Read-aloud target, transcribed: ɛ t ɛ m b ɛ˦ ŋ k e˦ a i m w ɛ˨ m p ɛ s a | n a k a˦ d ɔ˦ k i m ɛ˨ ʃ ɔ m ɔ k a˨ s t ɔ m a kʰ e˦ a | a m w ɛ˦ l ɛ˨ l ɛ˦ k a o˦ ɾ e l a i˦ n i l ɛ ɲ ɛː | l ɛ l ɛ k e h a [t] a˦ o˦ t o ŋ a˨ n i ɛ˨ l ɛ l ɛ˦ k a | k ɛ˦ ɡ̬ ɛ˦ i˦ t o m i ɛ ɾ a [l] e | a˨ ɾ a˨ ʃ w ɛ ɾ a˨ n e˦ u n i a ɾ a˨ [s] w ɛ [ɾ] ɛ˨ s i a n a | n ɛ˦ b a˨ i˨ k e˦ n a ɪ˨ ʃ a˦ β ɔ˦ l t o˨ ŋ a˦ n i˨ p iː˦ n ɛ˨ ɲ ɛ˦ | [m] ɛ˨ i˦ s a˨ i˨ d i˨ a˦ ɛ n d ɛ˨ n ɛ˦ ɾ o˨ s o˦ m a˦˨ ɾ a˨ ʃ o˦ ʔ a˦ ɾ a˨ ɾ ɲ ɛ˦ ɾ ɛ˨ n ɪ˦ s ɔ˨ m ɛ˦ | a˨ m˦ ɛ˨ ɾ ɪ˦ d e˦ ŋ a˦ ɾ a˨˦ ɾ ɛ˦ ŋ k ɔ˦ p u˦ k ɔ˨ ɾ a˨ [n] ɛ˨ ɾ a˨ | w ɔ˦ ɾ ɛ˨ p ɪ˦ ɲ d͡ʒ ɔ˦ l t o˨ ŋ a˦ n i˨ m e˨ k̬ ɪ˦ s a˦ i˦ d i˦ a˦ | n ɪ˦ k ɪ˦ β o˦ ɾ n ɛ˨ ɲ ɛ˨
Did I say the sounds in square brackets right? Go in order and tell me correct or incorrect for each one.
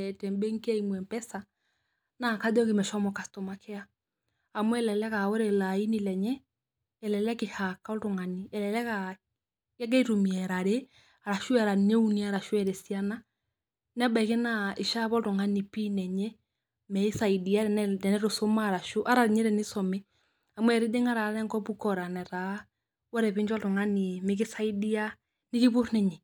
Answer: incorrect: k, incorrect: ɾ, incorrect: ʃ, correct, correct, correct

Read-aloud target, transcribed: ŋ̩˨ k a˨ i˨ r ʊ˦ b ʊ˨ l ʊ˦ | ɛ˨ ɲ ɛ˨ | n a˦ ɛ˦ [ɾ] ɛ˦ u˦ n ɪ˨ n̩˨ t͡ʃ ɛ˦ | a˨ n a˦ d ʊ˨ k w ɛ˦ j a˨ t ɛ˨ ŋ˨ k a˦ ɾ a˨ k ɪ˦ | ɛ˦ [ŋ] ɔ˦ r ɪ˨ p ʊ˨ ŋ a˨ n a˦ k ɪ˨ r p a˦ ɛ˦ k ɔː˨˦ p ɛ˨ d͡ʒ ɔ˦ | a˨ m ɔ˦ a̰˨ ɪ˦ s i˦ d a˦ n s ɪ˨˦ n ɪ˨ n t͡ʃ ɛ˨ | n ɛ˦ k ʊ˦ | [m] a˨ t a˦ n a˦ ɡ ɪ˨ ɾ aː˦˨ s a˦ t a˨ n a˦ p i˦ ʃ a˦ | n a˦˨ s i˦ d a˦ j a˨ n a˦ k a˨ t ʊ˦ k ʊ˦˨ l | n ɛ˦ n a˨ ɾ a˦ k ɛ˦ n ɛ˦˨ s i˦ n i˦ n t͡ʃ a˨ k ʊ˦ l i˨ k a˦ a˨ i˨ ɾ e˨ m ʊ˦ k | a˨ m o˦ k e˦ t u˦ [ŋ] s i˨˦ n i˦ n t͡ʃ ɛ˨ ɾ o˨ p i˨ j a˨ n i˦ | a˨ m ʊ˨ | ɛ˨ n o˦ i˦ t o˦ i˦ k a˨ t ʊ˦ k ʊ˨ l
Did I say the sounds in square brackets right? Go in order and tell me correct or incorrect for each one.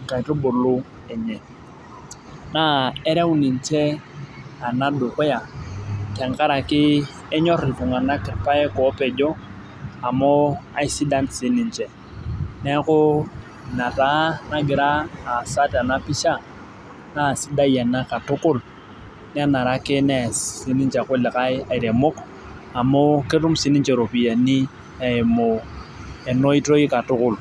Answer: correct, incorrect: ɲ, incorrect: n, incorrect: m

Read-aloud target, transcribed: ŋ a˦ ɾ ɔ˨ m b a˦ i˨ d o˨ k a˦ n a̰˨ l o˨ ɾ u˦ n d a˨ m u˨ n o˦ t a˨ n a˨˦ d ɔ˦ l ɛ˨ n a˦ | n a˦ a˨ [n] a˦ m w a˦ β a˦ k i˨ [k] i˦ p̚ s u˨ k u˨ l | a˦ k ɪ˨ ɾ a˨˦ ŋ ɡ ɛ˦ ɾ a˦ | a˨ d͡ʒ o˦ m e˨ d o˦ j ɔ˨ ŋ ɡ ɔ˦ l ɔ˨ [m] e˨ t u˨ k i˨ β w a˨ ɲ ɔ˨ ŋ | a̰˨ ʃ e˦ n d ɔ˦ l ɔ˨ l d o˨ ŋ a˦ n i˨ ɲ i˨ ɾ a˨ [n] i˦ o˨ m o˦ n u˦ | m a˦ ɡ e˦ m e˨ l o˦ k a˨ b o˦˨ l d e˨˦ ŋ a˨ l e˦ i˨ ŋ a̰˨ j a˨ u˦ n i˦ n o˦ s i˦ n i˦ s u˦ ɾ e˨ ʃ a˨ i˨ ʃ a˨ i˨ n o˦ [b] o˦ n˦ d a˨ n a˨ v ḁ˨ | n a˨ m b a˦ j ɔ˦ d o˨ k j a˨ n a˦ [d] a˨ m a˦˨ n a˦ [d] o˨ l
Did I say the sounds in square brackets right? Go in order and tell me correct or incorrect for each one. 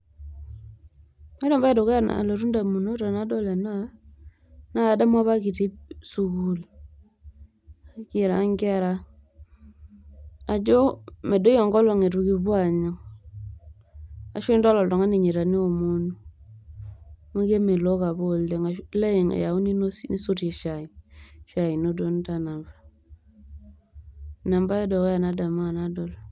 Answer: incorrect: d, incorrect: t, incorrect: ŋ, correct, incorrect: d, correct, correct

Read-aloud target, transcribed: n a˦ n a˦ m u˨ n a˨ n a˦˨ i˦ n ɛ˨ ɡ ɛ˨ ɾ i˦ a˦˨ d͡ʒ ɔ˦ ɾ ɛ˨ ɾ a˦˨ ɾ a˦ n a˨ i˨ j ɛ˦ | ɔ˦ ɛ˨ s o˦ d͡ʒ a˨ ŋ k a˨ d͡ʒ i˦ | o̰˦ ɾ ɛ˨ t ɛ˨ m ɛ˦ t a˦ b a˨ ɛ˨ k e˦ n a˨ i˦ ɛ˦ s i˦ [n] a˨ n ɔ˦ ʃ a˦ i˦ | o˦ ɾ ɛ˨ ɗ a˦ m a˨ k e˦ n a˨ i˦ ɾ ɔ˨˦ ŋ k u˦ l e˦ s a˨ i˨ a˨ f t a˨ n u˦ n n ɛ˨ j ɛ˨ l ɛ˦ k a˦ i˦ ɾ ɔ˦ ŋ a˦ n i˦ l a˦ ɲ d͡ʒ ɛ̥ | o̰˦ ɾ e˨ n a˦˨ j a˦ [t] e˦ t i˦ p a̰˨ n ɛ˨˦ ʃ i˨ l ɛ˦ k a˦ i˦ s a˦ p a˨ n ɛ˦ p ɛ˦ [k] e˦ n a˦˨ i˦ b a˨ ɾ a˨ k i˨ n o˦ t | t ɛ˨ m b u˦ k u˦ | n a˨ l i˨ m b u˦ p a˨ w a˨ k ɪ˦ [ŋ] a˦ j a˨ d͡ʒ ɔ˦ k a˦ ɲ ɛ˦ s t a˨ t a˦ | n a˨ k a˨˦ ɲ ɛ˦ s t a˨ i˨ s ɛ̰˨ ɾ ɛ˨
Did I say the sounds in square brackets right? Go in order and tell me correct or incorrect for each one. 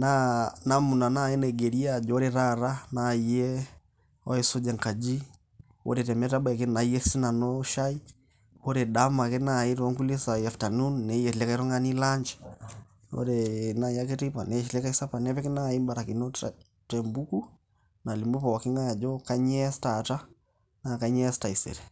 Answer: correct, incorrect: k, correct, correct

